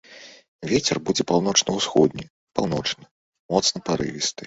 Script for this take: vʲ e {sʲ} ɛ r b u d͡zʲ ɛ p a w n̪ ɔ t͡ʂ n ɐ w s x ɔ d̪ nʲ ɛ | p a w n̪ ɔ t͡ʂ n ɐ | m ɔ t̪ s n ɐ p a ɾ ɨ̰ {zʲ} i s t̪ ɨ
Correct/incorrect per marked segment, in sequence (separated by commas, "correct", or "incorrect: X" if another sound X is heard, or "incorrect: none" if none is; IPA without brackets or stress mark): incorrect: t͡sʲ, incorrect: vʲ